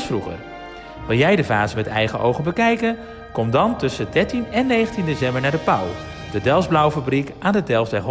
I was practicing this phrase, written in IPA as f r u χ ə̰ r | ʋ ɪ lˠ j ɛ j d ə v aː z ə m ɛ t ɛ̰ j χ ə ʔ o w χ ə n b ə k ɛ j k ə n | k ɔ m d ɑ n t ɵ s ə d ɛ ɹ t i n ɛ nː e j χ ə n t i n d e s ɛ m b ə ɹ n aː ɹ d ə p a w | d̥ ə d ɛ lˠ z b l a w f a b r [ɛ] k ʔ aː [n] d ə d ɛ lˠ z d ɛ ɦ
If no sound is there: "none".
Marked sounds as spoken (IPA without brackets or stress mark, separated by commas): i, n